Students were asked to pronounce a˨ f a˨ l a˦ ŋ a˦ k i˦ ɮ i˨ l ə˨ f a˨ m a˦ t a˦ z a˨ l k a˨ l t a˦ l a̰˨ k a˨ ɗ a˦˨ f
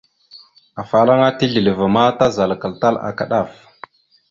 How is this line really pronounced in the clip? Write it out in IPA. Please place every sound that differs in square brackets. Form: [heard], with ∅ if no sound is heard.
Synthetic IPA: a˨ f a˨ l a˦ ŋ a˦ [t] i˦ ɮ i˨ l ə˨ [v] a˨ m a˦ t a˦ z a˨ l k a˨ l t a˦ l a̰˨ k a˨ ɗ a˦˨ f